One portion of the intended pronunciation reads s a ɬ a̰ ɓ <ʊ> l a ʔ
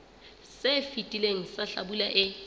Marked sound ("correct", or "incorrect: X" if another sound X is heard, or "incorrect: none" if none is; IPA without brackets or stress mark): incorrect: u